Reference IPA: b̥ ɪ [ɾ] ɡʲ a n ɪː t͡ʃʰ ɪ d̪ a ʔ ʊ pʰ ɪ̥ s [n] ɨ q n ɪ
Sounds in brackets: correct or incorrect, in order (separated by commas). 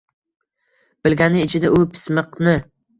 incorrect, incorrect